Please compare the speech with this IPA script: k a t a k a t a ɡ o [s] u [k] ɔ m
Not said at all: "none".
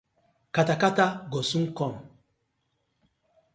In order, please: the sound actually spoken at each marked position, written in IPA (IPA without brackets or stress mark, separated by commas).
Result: s, k